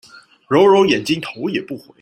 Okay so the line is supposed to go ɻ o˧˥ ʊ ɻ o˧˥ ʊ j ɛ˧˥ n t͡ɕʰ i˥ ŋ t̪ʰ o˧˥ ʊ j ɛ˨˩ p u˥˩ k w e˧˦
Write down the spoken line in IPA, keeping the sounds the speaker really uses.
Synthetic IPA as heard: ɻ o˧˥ ʊ ɻ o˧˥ ʊ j ɛ˨˩ n t͡ɕ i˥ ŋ t̪ʰ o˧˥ ʊ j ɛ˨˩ p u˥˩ x w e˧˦